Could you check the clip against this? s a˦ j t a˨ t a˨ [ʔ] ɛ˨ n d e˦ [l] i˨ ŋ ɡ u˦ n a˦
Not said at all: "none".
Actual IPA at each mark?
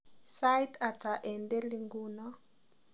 ʔ, l

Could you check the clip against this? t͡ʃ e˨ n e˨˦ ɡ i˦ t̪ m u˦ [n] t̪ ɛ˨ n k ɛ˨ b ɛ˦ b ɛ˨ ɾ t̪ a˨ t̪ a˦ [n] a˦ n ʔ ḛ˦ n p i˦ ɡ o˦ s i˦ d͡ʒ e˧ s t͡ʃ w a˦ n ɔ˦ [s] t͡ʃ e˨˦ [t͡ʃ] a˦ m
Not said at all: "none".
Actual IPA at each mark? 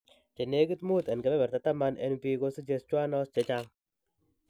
none, m, s, t͡ʃ

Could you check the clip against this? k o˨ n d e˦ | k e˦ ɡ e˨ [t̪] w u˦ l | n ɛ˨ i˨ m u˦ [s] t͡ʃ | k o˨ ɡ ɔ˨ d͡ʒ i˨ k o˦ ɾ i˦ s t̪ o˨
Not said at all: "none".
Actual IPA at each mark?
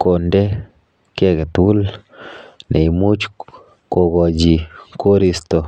t̪, none

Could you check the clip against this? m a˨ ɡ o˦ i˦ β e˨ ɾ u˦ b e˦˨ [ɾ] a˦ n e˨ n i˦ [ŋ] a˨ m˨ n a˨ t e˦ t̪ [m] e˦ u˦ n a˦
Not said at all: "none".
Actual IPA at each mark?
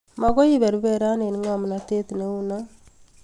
ɾ, ŋ, n

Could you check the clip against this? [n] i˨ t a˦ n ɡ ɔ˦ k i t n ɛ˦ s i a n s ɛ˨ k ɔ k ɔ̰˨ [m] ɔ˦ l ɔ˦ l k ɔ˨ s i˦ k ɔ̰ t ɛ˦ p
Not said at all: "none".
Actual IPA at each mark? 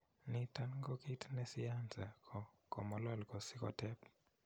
n, m

